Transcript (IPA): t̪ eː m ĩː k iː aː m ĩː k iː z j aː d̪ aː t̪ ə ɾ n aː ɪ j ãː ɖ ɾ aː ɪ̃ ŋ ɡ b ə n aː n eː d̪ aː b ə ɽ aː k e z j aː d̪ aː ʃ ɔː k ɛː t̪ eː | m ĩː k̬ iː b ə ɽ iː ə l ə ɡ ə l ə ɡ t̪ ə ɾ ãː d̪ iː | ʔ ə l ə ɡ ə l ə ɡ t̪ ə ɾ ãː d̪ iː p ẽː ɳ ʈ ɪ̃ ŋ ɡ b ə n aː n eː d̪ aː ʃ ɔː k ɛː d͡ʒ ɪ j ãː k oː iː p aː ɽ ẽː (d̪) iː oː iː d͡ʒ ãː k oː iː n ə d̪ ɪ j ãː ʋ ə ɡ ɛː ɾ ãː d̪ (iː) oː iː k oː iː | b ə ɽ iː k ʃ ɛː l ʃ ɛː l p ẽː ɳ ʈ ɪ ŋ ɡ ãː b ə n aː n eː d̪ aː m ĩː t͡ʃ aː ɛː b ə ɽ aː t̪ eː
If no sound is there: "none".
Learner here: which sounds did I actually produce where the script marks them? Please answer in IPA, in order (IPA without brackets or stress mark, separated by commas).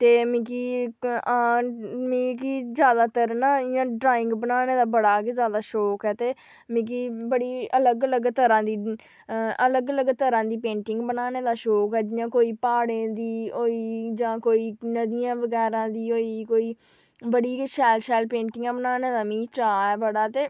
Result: d̪, iː